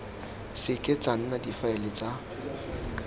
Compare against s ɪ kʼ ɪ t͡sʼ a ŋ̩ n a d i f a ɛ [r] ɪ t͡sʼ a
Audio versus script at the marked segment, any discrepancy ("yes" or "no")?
yes